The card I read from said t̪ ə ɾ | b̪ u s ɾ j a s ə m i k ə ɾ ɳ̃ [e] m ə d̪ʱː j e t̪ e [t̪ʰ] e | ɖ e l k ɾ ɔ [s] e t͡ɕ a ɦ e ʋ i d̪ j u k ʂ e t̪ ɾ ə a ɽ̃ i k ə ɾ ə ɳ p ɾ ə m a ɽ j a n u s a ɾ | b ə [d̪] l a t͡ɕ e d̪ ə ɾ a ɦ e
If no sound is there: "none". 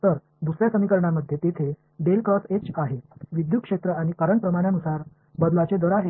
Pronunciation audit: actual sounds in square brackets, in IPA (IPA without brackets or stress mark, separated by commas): a, t̪ʰ, s, d̪